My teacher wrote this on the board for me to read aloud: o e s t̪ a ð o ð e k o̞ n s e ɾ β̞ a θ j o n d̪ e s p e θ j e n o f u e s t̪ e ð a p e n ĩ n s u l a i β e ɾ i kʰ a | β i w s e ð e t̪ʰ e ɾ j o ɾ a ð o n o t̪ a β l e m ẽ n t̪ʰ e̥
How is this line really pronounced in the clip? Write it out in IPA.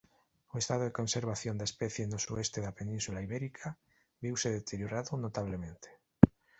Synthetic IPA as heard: o e s t̪ a ð o ð e k o̞ n s e ɾ β̞ a θ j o n d̪ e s p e θ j e n o s u e s t̪ e ð a p e n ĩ n s u l a i β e ɾ i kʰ a | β i w s e ð e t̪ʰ e ɾ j o ɾ a ð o n o t̪ a β l e m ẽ n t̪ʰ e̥